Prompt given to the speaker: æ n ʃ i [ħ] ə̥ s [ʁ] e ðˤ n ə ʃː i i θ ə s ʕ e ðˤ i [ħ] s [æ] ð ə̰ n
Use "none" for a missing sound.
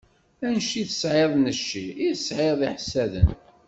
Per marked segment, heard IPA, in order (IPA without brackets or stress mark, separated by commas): θ, ʕ, ħ, æ